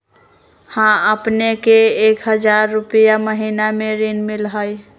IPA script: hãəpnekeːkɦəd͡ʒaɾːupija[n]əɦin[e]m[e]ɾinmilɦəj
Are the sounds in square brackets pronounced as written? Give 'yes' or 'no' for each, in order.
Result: no, no, yes

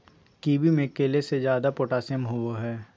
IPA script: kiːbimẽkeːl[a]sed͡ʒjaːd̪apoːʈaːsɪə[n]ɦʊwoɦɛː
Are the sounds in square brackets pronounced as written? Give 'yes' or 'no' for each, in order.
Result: no, no

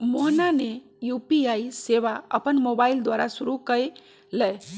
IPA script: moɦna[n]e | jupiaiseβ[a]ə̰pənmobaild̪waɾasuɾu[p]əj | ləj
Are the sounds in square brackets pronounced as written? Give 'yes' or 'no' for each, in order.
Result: yes, yes, no

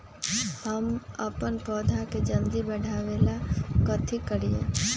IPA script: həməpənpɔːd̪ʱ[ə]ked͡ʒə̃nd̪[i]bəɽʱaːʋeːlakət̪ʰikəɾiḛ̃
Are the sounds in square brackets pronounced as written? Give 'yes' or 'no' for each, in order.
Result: no, yes

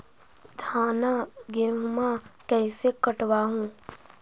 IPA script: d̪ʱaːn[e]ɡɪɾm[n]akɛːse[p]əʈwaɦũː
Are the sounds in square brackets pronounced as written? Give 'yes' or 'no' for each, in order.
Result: no, no, no

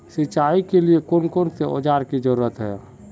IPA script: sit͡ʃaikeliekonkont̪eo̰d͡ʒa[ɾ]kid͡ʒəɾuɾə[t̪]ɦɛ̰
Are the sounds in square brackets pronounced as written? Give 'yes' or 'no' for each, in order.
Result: yes, yes

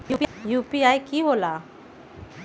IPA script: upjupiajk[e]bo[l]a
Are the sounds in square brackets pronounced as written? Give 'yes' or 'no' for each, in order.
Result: no, yes

